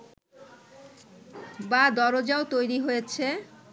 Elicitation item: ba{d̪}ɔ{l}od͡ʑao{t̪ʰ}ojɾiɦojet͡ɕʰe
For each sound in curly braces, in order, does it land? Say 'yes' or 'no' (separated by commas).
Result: yes, no, no